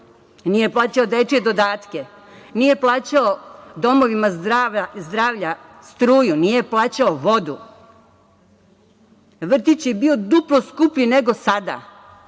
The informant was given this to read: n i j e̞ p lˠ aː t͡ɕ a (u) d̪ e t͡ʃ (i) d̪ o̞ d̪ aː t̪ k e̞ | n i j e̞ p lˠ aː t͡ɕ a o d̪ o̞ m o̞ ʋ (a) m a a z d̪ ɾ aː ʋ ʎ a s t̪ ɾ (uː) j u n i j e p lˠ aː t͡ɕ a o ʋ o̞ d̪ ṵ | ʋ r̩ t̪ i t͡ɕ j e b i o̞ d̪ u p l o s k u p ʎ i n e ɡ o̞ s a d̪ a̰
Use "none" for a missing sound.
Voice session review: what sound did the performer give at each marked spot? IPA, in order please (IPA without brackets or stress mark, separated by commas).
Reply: o, e, i, uː